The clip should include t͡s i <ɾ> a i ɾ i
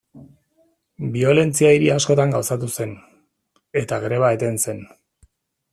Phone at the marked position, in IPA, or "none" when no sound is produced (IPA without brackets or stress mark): none